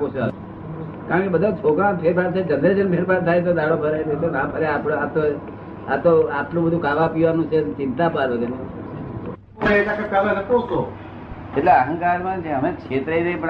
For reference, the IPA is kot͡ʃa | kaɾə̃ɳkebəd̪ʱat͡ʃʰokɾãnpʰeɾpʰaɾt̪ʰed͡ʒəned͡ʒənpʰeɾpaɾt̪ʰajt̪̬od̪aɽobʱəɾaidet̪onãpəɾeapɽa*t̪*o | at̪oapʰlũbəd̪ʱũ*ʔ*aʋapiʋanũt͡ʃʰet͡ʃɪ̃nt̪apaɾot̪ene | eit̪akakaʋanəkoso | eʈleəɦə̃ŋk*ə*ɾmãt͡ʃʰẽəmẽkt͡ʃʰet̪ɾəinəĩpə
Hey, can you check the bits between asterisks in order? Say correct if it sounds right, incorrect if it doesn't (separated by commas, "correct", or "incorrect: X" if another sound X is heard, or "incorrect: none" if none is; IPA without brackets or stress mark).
correct, incorrect: k, incorrect: a